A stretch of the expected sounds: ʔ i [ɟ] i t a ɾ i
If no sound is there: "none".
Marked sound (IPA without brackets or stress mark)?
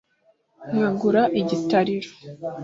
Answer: ɟ